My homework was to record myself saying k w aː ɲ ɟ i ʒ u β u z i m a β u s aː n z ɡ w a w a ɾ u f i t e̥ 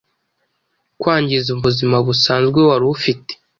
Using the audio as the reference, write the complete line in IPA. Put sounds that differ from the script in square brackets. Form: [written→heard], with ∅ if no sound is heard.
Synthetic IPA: k w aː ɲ ɟ i [ʒ→z] u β u z i m a β u s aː n z ɡ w [a→e] w a ɾ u f i t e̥

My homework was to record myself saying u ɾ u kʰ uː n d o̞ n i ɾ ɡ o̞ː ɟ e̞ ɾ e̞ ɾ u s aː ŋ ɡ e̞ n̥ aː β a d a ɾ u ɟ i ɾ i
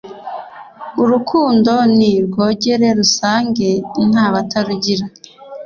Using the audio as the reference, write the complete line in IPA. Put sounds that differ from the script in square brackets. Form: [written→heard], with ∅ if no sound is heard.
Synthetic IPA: u ɾ u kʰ uː n d o̞ n i ɾ ɡ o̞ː ɟ e̞ ɾ e̞ ɾ u s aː ŋ ɡ e̞ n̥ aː β a [d→t] a ɾ u ɟ i ɾ [i→a]

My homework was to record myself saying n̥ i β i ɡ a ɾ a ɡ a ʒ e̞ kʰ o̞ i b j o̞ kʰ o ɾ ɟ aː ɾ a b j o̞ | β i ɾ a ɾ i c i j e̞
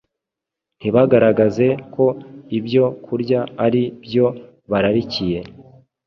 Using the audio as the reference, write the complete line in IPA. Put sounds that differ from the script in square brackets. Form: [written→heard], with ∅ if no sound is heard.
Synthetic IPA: n̥ i β [i→a] ɡ a ɾ a ɡ a [ʒ→z] e̞ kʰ o̞ i b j o̞ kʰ [o→u] ɾ ɟ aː ɾ [a→i] b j o̞ | β [i→a] ɾ a ɾ i c i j e̞

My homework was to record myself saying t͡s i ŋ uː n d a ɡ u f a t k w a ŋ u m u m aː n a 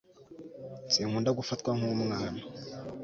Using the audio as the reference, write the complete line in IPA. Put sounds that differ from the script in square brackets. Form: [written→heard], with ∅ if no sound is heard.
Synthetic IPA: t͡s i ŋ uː n d a ɡ u f a t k w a ŋ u m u [m→ŋ] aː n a

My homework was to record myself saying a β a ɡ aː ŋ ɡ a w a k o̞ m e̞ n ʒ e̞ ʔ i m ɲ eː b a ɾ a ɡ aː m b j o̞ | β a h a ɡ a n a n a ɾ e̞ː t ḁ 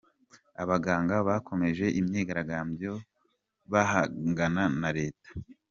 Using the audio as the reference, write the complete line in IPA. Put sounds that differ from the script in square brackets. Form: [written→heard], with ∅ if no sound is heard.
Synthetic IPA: a β a ɡ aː ŋ ɡ a [w→β] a k o̞ m e̞ [n→∅] ʒ e̞ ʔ i m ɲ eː [b→ɡ] a ɾ a ɡ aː m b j o̞ | β a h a ɡ a n a n a ɾ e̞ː t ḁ

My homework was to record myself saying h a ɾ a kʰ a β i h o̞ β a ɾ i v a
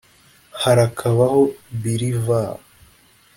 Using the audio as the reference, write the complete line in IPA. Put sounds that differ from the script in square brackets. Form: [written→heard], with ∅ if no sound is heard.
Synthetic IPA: h a ɾ a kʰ a β [i→a] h o̞ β [a→i] ɾ i v a

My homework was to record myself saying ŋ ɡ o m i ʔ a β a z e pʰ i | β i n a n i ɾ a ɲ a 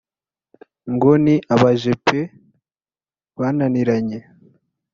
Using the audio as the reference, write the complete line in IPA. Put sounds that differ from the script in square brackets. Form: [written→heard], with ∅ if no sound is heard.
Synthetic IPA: ŋ ɡ o [m→n] i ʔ a β a [z→ʒ] e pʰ [i→e] | β [i→a] n a n i ɾ a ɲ [a→e]

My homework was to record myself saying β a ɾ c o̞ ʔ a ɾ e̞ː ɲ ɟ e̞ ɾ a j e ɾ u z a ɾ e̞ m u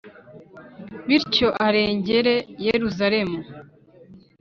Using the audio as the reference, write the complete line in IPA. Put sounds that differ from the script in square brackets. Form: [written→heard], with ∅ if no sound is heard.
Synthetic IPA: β [a→i] ɾ c o̞ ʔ a ɾ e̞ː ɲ ɟ e̞ ɾ [a→e] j e ɾ u z a ɾ e̞ m u

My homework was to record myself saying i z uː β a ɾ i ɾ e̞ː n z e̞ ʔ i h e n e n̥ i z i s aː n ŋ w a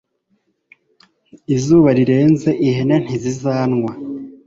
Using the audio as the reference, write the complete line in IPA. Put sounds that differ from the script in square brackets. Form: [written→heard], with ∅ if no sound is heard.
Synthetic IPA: i z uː β a ɾ i ɾ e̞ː n z e̞ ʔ i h e n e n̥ i z i [s→z] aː n ŋ w a

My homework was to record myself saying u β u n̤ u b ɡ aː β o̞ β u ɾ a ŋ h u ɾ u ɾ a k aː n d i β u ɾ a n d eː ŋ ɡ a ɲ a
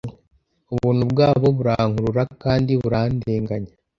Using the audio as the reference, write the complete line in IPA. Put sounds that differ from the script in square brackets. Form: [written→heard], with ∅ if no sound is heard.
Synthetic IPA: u β [u→uː] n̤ u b ɡ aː β o̞ β u ɾ a ŋ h u ɾ u ɾ a k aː n d i β u ɾ a n d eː ŋ ɡ a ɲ a

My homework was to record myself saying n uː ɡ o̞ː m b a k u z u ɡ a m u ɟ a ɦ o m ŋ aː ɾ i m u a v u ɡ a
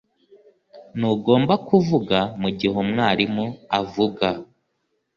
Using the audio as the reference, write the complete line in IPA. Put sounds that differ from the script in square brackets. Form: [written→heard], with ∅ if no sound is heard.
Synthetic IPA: n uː ɡ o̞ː m b a k u [z→v] u ɡ a m u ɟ [a→i] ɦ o m ŋ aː ɾ i m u a v u ɡ a

